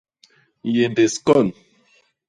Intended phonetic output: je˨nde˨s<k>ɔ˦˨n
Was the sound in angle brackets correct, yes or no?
yes